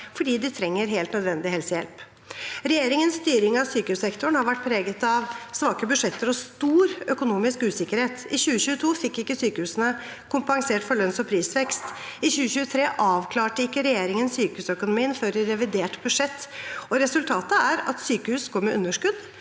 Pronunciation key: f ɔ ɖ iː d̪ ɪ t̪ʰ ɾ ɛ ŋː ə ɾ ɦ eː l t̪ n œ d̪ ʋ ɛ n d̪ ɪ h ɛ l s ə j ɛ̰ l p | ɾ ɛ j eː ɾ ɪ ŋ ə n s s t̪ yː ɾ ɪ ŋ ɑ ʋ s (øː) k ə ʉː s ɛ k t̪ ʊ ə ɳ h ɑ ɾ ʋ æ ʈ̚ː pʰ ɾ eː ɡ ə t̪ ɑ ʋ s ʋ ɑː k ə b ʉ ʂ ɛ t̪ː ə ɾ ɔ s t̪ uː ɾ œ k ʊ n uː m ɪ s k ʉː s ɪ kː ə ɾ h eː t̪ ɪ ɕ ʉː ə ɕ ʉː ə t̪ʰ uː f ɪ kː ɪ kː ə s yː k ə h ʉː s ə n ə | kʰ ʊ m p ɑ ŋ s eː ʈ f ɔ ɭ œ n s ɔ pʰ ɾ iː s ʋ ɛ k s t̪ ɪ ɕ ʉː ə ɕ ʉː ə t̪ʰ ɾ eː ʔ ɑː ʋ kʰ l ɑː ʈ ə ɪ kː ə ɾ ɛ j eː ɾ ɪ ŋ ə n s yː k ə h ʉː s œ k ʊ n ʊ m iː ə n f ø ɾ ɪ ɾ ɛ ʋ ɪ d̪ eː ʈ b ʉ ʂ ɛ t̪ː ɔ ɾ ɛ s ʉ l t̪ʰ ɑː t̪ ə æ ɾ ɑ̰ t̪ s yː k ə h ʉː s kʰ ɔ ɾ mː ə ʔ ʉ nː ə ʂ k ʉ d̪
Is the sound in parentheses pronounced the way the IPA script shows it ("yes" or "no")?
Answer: no